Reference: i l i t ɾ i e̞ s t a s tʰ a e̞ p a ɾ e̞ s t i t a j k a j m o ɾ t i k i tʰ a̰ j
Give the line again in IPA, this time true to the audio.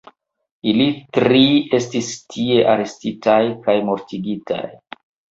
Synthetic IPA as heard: i l i t ɾ i e̞ s t i s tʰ i e̞ ʔ a ɾ e̞ s t i t a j k a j m o ɾ t i ɡ i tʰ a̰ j